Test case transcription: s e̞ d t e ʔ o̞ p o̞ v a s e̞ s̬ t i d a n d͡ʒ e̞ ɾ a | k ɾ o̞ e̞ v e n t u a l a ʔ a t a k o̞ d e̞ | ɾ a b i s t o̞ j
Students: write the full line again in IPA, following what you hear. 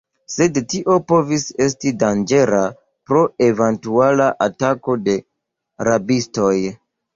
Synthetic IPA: s e̞ d t i ʔ o̞ p o̞ v i s e̞ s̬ t i d a n d͡ʒ e̞ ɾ a | p ɾ o̞ e̞ v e n t u a l a ʔ a t a k o̞ d e̞ | ɾ a b i s t o̞ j